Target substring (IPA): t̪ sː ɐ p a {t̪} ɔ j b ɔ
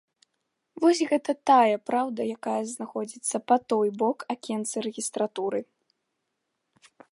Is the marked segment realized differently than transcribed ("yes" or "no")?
no